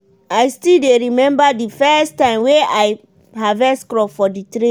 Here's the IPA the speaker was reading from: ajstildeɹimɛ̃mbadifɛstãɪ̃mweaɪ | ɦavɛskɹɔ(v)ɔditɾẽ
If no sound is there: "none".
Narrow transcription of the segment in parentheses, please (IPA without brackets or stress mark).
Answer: f